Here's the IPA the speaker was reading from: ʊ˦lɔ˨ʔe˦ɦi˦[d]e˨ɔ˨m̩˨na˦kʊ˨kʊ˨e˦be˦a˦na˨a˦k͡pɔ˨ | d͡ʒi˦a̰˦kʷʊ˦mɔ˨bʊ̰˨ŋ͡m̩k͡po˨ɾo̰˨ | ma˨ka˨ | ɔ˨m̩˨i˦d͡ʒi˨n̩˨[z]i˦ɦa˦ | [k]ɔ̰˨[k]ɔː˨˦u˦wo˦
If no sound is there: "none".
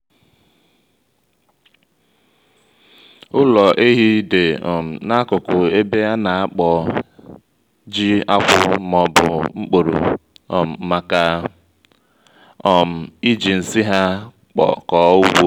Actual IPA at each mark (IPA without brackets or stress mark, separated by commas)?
d, s, k͡p, k